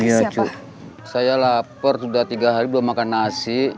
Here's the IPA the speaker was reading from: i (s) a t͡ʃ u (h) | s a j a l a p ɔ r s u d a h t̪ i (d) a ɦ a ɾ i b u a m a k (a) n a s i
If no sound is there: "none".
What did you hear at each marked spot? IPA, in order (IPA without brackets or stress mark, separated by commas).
none, none, ɡ, a